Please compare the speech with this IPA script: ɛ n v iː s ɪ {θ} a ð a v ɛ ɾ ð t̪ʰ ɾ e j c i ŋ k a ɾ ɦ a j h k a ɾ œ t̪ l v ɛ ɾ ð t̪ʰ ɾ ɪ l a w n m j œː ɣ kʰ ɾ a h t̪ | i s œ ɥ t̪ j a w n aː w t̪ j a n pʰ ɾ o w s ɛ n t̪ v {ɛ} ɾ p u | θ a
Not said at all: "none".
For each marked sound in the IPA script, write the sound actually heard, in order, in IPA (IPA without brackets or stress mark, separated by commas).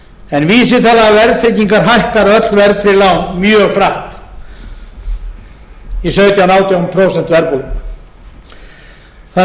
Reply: θ, ɛ